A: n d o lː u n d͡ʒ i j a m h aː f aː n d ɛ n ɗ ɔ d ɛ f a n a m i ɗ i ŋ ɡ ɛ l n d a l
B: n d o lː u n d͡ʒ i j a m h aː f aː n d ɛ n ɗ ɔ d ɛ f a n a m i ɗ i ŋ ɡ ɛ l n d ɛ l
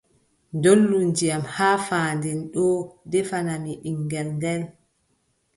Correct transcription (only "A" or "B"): B